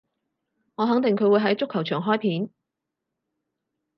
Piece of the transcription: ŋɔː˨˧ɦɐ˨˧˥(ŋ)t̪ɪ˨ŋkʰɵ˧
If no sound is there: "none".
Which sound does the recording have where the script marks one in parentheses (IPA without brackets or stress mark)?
ŋ